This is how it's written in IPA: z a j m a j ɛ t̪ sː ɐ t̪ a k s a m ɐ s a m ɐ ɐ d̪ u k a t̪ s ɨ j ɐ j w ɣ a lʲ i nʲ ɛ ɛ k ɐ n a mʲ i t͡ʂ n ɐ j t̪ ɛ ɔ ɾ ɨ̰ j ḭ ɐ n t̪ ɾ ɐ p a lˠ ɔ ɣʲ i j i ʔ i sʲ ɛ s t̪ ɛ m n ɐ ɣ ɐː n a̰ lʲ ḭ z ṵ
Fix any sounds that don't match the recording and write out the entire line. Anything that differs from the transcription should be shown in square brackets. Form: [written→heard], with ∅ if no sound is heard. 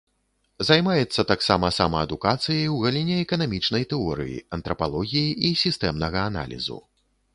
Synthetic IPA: z a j m a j ɛ t̪ sː ɐ t̪ a k s a m ɐ s a m ɐ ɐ d̪ u k a t̪ s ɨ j ɐ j w ɣ a lʲ i nʲ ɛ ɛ k ɐ n a mʲ i t͡ʂ n ɐ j t̪ ɛ ɔ ɾ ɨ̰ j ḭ ɐ n t̪ ɾ ɐ p a lˠ ɔ ɣʲ i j i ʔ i sʲ [ɛ→i] s t̪ ɛ m n ɐ ɣ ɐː n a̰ lʲ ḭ z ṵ

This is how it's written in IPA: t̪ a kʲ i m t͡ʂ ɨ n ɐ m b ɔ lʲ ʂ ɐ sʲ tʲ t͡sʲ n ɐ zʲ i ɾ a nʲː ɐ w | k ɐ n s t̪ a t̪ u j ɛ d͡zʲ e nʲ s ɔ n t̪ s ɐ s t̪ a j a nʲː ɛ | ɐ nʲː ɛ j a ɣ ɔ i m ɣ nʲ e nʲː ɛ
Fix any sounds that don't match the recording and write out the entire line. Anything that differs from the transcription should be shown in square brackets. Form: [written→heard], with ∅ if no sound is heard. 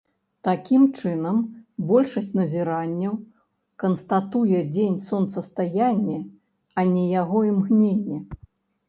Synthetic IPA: t̪ a kʲ i m t͡ʂ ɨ n ɐ m b ɔ lʲ ʂ ɐ sʲ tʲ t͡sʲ n ɐ zʲ i ɾ a nʲː ɐ w | k ɐ n s t̪ a t̪ u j ɛ d͡zʲ e nʲ s ɔ n t̪ s ɐ s t̪ a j a nʲː ɛ | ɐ [nʲː→nʲ] ɛ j a ɣ ɔ i m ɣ nʲ e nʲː ɛ

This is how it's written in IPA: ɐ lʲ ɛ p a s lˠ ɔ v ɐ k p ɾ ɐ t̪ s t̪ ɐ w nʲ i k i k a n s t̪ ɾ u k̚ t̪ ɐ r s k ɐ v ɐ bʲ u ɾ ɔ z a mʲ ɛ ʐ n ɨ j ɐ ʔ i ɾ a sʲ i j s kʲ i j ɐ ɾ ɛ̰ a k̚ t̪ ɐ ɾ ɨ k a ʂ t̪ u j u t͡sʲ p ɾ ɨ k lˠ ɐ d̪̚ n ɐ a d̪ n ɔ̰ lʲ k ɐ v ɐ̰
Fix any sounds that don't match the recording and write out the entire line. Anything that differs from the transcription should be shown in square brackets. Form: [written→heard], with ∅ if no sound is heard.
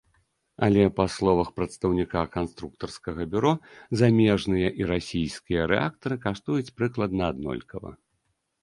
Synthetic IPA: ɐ lʲ ɛ p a s lˠ ɔ v ɐ [k→x] p ɾ ɐ t̪ s t̪ ɐ w nʲ i k [i→a] k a n s t̪ ɾ u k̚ t̪ ɐ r s k ɐ [v→ɣ] ɐ bʲ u ɾ ɔ z a mʲ ɛ ʐ n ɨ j ɐ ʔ i ɾ a sʲ i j s kʲ i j ɐ ɾ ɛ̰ a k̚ t̪ ɐ ɾ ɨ k a ʂ t̪ u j u t͡sʲ p ɾ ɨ k lˠ ɐ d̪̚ n ɐ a d̪ n ɔ̰ lʲ k ɐ v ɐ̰

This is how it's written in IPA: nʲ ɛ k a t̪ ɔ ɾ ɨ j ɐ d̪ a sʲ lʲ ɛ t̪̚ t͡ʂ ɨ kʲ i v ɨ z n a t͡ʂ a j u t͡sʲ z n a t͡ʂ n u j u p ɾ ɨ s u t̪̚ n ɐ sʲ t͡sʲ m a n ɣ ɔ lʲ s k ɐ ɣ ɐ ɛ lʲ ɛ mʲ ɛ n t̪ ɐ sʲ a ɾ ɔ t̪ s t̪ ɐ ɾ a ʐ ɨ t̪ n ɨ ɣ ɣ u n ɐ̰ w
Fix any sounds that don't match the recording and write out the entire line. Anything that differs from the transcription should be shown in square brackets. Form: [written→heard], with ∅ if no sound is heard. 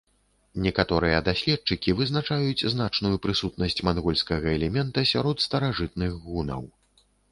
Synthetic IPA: nʲ ɛ k a t̪ ɔ ɾ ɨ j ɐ d̪ a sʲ lʲ ɛ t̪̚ t͡ʂ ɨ kʲ i v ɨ z n a t͡ʂ a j u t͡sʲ z n a t͡ʂ n u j u p ɾ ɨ s u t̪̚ n ɐ sʲ t͡sʲ m a n ɣ ɔ lʲ s k ɐ ɣ ɐ ɛ lʲ ɛ mʲ ɛ n t̪ ɐ sʲ a ɾ ɔ t̪ s t̪ ɐ ɾ a ʐ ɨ t̪ n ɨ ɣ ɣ u n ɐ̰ w

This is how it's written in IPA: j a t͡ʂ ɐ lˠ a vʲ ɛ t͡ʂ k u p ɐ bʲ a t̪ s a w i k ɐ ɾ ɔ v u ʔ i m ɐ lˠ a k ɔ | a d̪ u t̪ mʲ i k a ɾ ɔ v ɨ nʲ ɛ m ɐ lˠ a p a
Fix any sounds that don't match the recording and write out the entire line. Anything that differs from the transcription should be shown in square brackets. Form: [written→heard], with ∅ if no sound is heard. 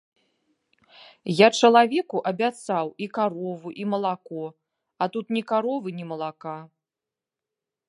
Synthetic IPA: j a t͡ʂ ɐ lˠ a vʲ ɛ [t͡ʂ→∅] k u [p→ʔ] ɐ bʲ a t̪ s a w i k [ɐ→a] ɾ ɔ v u ʔ i m ɐ lˠ a k ɔ | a [d̪→t̪] u t̪ [mʲ→nʲ] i k a ɾ ɔ v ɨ nʲ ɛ m ɐ lˠ a [p→k] a

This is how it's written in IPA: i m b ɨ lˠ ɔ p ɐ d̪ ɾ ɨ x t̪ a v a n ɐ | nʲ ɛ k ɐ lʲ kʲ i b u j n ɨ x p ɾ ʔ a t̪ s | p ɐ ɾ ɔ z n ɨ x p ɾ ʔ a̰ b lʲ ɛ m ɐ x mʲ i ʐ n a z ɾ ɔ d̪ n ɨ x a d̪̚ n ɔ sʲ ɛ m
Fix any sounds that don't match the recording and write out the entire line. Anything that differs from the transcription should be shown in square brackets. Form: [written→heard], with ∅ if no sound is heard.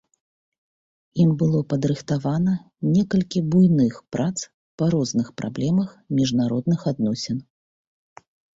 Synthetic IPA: i m b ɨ lˠ ɔ p ɐ d̪ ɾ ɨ x t̪ a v a n ɐ | nʲ ɛ k ɐ lʲ kʲ i b u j n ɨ x p ɾ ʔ a t̪ s | p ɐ ɾ ɔ z n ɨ x p ɾ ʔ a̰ b lʲ ɛ m ɐ x mʲ i ʐ n a [z→∅] ɾ ɔ d̪ n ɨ x a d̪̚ n ɔ sʲ ɛ [m→n]

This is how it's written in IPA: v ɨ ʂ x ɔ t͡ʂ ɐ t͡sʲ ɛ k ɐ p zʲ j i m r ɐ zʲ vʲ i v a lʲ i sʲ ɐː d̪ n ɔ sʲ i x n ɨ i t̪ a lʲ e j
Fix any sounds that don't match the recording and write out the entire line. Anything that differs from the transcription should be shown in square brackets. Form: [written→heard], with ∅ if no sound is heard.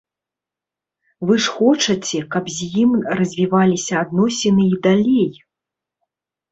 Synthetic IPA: v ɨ ʂ x ɔ t͡ʂ ɐ t͡sʲ ɛ k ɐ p zʲ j i m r ɐ zʲ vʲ i v a lʲ i sʲ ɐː d̪ n ɔ sʲ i [x→∅] n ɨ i [t̪→d̪] a lʲ e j

